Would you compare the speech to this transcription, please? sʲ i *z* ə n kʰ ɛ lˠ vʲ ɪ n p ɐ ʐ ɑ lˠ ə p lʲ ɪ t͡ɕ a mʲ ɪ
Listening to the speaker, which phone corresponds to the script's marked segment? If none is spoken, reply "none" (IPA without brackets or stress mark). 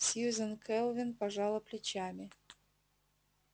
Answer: z